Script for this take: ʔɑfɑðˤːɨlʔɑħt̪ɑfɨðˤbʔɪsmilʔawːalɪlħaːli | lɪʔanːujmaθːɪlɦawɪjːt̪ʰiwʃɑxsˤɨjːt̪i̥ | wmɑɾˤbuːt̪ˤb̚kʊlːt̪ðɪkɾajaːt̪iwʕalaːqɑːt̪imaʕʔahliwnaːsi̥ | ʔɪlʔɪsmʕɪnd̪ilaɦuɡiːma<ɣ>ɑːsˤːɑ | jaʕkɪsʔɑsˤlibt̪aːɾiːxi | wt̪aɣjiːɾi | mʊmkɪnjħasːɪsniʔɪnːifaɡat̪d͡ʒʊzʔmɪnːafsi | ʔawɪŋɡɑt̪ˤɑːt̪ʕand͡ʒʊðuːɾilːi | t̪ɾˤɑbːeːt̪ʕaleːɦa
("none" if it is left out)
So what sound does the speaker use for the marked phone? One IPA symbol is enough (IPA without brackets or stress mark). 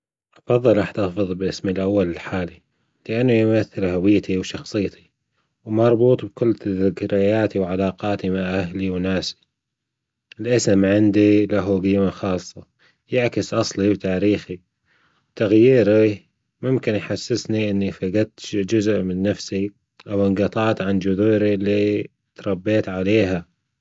x